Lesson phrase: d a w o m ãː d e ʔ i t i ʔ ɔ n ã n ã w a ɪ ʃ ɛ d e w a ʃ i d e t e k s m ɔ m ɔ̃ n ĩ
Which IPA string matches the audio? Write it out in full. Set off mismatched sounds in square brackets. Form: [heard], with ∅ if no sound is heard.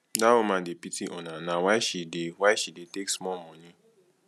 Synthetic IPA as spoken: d a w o m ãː d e [p] i t i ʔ ɔ n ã n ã w a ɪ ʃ [i] d e w a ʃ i d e t e k s m ɔ m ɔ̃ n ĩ

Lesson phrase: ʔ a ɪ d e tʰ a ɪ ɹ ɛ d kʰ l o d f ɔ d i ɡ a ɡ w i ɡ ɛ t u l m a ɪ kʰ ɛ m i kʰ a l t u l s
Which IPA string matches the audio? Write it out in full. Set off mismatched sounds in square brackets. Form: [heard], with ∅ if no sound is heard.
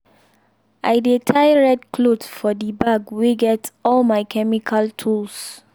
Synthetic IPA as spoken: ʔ a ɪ d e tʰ a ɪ ɹ ɛ d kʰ l o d f ɔ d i [b] a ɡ w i ɡ ɛ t [ɔ] l m a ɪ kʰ ɛ m i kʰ a l [tʰ] u l s

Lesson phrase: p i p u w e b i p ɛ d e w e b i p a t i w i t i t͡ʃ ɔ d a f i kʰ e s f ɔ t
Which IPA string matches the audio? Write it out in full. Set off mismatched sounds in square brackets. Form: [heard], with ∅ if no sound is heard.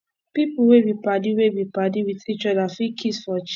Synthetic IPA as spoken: p i p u w e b i p [a] d [i] w e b i p a [d] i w i t i t͡ʃ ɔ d a f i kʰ [i] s f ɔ [t͡ʃ]

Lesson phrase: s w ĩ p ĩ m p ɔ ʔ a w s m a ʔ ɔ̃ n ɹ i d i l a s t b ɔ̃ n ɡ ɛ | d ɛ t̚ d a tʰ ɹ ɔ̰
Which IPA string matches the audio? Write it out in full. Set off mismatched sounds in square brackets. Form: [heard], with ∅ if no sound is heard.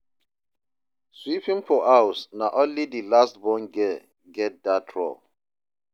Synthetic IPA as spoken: s w [i] p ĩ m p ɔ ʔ a w s [n] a ʔ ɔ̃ n [l] i d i l a s t b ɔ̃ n ɡ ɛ | [ɡ] ɛ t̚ d a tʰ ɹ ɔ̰

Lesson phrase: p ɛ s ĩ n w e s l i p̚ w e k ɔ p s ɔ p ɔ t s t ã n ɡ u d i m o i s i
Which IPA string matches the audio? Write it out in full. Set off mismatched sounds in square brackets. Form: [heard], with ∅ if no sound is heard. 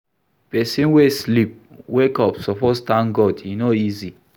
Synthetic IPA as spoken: p ɛ s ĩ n w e s l i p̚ w e k ɔ p s ɔ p ɔ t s t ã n ɡ [ɔ] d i [n] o i [z] i

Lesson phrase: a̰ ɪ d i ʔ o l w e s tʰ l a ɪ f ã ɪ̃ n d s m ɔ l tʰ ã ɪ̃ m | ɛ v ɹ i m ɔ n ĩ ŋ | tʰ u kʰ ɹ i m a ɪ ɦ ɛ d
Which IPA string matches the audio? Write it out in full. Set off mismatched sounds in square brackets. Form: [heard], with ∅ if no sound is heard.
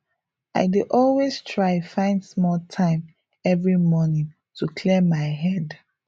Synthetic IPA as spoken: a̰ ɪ d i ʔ [ɔ] l w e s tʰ [ɹ] a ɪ f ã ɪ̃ n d s m ɔ l tʰ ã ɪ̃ m | ɛ v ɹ i m ɔ n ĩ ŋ | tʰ u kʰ [l] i m a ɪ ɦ ɛ d

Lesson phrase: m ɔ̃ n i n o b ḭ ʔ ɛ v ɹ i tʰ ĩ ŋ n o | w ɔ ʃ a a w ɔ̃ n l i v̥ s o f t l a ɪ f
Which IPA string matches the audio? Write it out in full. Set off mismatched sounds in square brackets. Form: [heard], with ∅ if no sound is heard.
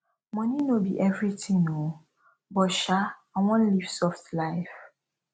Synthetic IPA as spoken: m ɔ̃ n i n o b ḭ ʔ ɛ v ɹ i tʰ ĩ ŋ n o | [b] ɔ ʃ a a w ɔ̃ n l i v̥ s [ɔ] f t l a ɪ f

